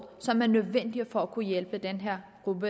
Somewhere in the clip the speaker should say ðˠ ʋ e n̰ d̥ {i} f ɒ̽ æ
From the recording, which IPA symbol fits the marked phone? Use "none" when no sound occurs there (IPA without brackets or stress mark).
i